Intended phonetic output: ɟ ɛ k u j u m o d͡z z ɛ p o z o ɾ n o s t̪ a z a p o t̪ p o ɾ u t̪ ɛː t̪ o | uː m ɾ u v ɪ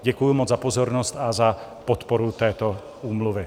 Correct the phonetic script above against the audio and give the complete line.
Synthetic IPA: ɟ ɛ k u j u m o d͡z z a p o z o ɾ n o s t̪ a z a p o t̪ p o ɾ u t̪ ɛː t̪ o | uː m l u v ɪ